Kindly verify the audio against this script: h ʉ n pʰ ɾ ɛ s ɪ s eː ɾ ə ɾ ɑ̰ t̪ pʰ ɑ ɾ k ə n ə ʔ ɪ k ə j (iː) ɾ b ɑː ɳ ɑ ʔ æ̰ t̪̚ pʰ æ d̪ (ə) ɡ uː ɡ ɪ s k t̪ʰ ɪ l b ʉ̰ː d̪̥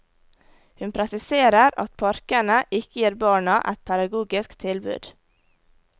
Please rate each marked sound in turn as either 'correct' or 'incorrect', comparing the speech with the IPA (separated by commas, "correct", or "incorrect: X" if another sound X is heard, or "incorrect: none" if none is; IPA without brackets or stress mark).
correct, incorrect: ɑ